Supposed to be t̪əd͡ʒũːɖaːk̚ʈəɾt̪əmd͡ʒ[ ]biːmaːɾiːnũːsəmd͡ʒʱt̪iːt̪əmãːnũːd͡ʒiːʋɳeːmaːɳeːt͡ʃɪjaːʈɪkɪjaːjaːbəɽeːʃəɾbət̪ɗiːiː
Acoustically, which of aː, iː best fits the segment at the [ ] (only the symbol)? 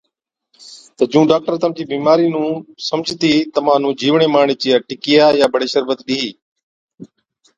iː